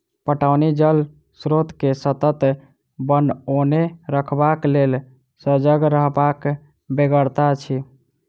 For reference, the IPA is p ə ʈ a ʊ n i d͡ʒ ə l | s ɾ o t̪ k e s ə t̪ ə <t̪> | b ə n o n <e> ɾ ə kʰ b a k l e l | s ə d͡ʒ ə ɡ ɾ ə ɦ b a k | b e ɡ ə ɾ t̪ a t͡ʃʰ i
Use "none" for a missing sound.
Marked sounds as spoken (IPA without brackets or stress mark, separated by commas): t̪, e